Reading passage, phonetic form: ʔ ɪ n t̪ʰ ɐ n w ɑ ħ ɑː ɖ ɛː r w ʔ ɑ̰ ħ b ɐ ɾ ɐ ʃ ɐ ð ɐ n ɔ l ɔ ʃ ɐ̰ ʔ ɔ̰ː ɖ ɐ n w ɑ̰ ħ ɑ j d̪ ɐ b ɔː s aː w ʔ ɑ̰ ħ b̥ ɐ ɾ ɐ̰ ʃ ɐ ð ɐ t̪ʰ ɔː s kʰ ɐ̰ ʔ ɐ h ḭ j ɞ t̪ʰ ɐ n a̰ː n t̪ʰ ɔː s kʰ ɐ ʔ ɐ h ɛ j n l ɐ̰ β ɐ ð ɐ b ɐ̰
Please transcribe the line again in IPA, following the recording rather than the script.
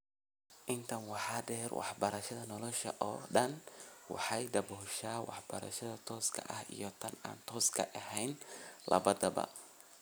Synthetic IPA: ʔ ɪ n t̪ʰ ɐ n w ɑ ħ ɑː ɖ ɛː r w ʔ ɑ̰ ħ b ɐ ɾ ɐ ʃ ɐ ð ɐ n ɔ l ɔ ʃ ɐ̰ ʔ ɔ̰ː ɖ ɐ n w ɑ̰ ħ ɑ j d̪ ɐ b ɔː ʃ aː w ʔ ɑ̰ ħ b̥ ɐ ɾ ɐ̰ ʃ ɐ ð ɐ t̪ʰ ɔː s kʰ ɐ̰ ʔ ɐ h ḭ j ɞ t̪ʰ ɐ n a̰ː n t̪ʰ ɔː s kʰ ɐ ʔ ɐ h ɛ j n l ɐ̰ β ɐ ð ɐ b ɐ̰

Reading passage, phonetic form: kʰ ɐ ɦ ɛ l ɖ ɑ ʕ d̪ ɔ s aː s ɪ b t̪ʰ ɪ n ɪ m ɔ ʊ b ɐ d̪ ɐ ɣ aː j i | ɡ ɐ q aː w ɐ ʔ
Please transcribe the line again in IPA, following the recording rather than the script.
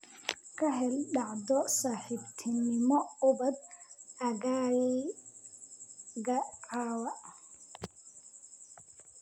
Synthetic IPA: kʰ ɐ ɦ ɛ l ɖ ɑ ʕ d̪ ɔ s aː ħ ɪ b t̪ʰ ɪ n ɪ m ɔ ʊ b ɐ d̪ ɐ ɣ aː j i | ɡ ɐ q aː w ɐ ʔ

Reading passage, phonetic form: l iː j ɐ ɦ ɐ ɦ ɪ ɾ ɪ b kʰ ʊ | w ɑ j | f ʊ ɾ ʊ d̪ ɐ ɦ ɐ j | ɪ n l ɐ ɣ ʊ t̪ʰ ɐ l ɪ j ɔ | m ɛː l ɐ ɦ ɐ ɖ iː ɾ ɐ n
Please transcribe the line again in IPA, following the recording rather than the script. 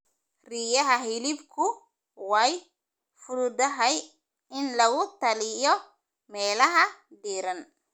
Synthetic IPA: r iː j ɐ ɦ ɐ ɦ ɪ l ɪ b kʰ ʊ | w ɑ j | f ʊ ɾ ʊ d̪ ɐ ɦ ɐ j | ɪ n l ɐ ɣ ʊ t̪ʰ ɐ l ɪ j ɔ | m ɛː l ɐ ɦ ɐ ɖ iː ɾ ɐ n

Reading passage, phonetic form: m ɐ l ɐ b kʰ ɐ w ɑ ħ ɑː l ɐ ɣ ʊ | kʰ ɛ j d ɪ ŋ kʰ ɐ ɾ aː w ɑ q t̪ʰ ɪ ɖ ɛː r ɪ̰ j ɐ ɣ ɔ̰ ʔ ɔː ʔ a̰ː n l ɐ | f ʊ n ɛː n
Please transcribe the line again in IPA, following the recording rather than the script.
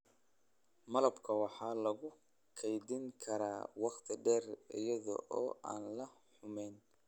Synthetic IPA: m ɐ l ɐ b kʰ ɐ w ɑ ħ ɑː l ɐ ɣ ʊ | kʰ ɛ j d ɪ ŋ kʰ ɐ ɾ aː w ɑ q t̪ʰ ɪ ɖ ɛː r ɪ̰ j ɐ ð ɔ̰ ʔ ɔː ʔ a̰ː n l ɐ | ħ ʊ m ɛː n

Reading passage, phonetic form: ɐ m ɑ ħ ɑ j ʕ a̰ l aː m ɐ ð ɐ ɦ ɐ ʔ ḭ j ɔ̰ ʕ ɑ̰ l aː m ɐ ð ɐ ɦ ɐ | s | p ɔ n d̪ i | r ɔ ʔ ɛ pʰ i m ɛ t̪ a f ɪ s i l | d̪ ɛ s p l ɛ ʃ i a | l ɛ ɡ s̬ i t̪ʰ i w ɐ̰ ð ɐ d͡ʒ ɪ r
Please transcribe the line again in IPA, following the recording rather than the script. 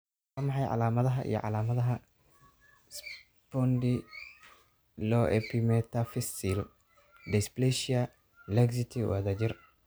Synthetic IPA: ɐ m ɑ ħ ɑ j ʕ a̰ l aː m ɐ ð ɐ ɦ ɐ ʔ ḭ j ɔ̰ ʕ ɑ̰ l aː m ɐ ð ɐ ɦ ɐ | s | p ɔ n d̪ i | l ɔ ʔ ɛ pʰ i m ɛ t̪ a f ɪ s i l | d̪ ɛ s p l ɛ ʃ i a | l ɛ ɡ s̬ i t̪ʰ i w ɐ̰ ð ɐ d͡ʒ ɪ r

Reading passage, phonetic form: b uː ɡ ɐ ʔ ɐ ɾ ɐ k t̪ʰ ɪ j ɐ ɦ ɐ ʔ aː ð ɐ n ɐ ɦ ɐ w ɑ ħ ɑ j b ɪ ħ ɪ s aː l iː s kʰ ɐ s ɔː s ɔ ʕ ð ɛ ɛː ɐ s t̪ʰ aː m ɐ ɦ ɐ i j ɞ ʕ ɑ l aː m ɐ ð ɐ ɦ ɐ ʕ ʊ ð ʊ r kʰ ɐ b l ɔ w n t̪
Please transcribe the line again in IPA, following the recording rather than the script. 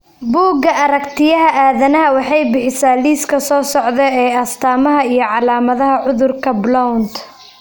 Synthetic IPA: b uː ɡ ɐ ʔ ɐ ɾ ɐ k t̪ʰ ɪ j ɐ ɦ ɐ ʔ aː ð ɐ n ɐ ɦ ɐ w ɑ ħ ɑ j b ɪ ħ ɪ s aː l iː s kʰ ɐ s ɔː s ɔ ʕ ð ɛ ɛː ɐ s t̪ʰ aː m ɐ ɦ ɐ i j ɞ ʕ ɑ l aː m ɐ ð ɐ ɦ ɐ ʕ ʊ ð ʊ r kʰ ɐ b l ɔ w n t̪

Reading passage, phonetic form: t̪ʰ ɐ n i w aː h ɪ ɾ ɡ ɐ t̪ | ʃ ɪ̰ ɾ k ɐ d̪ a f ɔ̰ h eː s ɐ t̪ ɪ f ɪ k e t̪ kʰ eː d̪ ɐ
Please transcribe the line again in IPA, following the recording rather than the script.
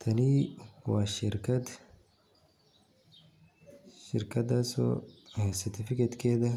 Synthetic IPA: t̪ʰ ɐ n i w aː ʃ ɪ ɾ k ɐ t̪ | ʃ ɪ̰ ɾ k ɐ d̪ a s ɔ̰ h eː s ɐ t̪ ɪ f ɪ k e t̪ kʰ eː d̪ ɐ

